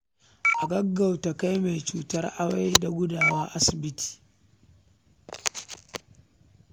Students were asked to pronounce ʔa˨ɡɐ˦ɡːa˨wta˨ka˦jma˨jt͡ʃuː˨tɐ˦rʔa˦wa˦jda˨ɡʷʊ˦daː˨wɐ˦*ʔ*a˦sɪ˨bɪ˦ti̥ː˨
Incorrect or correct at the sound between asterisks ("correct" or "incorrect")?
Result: correct